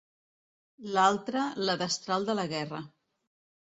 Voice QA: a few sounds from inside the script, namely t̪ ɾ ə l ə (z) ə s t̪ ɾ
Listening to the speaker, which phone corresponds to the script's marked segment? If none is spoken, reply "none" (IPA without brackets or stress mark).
ð